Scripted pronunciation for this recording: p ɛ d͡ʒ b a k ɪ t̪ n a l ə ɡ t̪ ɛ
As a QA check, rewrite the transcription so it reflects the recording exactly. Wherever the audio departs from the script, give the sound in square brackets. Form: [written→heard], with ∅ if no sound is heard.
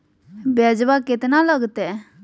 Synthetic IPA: [p→b] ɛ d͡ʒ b a k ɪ t̪ n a l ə ɡ t̪ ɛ